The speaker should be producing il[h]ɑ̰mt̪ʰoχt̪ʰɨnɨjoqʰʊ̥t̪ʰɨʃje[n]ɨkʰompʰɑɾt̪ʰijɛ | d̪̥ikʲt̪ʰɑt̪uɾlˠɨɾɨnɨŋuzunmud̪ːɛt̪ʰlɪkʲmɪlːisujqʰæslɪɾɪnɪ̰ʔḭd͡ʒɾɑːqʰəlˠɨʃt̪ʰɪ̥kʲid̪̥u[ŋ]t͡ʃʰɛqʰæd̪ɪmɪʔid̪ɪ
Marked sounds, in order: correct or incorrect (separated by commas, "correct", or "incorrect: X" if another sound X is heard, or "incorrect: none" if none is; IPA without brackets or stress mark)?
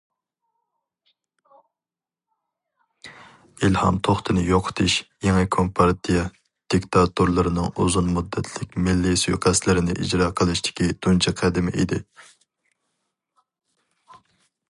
correct, incorrect: ŋ, incorrect: n